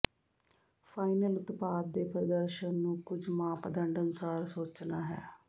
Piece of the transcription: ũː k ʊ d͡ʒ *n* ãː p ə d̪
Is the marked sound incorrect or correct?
incorrect